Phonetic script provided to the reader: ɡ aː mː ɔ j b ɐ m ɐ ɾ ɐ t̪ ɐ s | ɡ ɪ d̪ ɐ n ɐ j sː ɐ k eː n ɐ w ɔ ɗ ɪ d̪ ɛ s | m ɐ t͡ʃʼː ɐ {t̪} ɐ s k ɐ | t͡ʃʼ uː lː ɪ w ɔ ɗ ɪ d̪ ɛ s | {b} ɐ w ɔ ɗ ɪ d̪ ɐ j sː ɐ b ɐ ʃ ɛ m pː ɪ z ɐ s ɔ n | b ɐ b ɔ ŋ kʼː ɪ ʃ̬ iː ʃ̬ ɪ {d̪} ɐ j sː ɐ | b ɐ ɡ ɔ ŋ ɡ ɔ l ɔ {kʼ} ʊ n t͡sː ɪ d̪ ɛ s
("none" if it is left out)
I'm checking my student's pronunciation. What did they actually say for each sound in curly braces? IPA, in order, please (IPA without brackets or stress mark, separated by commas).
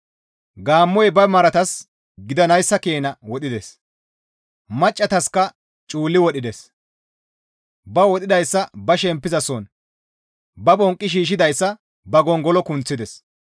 t̪, b, d̪, k